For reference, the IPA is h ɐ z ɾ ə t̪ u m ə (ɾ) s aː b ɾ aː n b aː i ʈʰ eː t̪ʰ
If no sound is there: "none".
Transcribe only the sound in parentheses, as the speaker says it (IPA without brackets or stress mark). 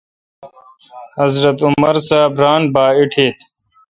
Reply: ɾ